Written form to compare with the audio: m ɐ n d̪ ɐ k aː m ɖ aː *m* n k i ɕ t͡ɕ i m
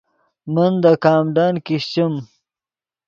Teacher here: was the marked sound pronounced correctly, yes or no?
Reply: no